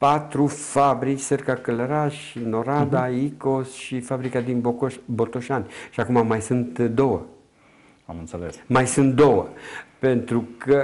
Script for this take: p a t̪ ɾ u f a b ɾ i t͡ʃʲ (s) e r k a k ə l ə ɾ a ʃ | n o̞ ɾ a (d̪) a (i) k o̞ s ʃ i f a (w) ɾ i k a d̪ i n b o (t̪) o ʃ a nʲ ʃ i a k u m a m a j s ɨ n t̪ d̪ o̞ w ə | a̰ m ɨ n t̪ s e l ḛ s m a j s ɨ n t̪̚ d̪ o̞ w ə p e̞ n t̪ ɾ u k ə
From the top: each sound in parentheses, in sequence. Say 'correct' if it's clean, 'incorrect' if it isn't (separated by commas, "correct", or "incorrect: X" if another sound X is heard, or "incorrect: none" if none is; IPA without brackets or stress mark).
correct, correct, correct, incorrect: b, correct